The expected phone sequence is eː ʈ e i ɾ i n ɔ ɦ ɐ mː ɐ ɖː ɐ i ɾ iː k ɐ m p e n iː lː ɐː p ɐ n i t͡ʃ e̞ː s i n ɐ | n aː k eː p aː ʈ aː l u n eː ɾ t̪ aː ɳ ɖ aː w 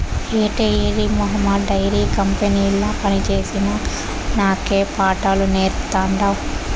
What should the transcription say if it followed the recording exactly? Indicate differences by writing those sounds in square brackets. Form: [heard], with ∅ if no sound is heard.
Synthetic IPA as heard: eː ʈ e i ɾ i [m] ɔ ɦ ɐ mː ɐ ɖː ɐ [j] ɾ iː k ɐ m p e n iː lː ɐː p ɐ n i t͡ʃ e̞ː s i n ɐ | n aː k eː p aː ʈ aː l u n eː ɾ t̪ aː ɳ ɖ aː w